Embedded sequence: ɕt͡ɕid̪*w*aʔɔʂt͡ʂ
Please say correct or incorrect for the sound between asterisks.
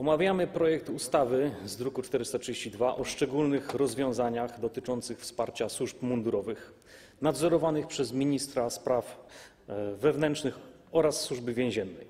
incorrect